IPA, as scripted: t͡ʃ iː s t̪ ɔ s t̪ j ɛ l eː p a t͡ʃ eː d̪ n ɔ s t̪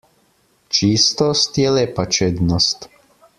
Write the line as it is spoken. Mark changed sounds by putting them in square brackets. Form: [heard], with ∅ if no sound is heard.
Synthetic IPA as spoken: t͡ʃ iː s t̪ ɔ s t̪ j ɛ l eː p a t͡ʃ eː d̪ n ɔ s t̪